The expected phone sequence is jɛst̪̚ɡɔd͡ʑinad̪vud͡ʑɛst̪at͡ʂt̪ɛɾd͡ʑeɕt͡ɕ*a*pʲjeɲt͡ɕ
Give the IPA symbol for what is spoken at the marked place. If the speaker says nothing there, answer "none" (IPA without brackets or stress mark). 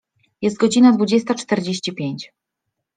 i